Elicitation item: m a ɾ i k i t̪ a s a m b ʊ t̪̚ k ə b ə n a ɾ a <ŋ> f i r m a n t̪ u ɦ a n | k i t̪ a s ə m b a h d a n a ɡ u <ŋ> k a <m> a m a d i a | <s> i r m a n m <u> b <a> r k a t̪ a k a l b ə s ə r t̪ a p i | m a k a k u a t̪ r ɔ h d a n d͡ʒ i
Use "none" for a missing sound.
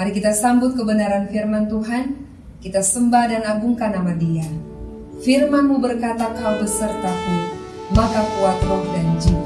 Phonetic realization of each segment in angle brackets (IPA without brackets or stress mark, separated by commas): n, ŋ, n, f, u, ə